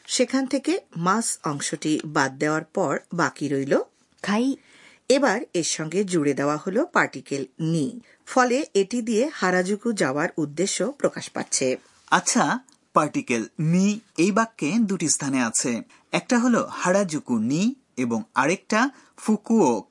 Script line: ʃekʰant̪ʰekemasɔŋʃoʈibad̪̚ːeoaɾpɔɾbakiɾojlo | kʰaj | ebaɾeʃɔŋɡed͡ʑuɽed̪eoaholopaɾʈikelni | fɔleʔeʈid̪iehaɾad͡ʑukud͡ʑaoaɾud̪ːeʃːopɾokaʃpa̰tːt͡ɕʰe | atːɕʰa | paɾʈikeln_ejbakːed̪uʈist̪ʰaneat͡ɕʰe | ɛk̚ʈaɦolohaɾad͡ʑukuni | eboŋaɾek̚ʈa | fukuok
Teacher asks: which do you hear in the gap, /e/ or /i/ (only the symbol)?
i